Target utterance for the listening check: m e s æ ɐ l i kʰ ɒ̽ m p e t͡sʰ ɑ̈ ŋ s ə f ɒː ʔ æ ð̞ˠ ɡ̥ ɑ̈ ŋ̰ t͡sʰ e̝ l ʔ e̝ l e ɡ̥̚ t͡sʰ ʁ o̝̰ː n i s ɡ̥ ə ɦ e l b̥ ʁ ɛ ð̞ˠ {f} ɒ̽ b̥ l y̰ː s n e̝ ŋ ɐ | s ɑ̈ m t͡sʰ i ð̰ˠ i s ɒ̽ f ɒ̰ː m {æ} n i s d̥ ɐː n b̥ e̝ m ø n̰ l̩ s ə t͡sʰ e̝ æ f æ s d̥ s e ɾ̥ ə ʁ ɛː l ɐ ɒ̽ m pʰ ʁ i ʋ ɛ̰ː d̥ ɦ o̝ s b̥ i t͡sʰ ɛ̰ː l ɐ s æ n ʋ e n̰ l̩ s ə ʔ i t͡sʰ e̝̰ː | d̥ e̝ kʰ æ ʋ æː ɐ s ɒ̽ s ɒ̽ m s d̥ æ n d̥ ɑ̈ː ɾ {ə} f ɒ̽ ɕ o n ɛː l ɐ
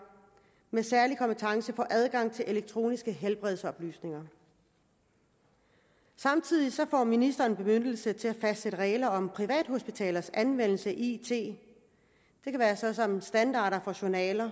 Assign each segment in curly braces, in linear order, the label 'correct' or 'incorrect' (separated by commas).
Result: incorrect, incorrect, incorrect